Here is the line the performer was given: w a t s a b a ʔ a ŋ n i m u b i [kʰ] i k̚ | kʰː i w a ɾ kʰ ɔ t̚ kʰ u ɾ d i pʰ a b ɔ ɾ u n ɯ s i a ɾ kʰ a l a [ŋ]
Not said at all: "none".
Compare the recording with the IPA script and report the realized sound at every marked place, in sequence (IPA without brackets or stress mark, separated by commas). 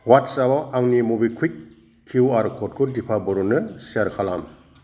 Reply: kʰ, m